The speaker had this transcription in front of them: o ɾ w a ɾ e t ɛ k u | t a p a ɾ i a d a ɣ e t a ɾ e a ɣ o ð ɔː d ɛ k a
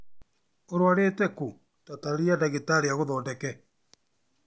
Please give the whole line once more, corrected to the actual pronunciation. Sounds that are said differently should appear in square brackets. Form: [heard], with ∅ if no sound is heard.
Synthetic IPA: o ɾ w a ɾ e t ɛ k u | t a [t] a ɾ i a d a ɣ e t a ɾ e a ɣ o ð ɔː d ɛ k [ɛ]